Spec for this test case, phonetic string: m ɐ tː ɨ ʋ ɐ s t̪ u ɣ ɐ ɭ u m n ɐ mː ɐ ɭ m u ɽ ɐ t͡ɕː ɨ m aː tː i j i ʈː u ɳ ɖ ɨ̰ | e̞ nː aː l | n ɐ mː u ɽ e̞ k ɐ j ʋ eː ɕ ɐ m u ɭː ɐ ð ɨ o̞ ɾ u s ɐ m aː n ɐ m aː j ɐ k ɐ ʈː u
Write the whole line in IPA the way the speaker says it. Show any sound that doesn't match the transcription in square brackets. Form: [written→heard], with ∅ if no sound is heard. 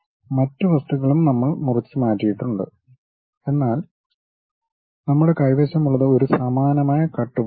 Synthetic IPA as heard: m ɐ tː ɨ ʋ ɐ s t̪ u ɣ ɐ ɭ u m n ɐ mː ɐ ɭ m u [ɽ→r] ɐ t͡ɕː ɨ m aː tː i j i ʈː u ɳ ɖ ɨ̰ | e̞ nː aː l | n ɐ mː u ɽ e̞ k ɐ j ʋ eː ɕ ɐ m u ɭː ɐ ð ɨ o̞ ɾ u s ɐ m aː n ɐ m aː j ɐ k ɐ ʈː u